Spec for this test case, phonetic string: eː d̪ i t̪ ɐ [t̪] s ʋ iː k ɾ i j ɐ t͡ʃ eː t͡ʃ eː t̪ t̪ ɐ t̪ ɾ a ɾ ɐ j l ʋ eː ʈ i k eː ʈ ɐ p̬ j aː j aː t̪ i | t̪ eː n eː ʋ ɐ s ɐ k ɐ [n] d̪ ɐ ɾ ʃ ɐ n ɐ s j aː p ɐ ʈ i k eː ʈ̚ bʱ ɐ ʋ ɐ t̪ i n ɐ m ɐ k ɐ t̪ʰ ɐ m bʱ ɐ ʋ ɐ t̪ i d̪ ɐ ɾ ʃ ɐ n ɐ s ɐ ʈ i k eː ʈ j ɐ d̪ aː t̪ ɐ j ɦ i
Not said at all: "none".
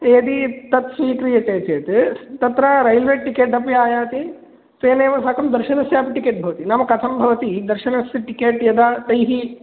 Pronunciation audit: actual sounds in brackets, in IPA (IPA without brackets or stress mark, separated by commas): t̪, m